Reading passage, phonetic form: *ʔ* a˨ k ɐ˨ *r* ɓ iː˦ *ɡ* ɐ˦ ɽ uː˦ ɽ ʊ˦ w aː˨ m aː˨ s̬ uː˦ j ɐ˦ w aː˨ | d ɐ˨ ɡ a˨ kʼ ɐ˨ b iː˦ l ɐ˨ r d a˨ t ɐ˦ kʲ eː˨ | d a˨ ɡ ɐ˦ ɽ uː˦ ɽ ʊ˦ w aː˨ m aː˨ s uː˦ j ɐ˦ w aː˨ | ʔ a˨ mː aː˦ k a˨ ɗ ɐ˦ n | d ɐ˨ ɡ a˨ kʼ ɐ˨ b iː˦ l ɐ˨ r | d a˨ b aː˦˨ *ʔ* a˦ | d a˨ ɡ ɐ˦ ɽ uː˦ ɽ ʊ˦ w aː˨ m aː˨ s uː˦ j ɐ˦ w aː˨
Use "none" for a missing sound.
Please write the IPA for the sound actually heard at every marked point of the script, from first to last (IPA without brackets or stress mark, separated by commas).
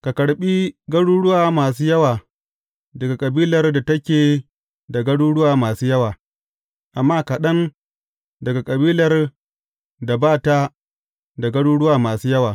k, ɽ, ɡ, t